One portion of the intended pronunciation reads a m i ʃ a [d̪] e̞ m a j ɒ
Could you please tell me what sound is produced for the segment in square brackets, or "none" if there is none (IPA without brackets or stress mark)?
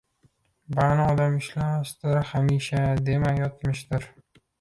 d̪